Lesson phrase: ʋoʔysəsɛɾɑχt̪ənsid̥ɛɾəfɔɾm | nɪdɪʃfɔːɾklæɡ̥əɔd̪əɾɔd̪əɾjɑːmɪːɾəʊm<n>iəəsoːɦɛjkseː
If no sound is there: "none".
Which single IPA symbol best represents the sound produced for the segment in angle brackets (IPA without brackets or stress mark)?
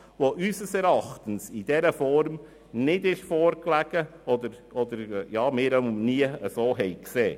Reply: n